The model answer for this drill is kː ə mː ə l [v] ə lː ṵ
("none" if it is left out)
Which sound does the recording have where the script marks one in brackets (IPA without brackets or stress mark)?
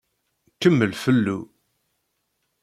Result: f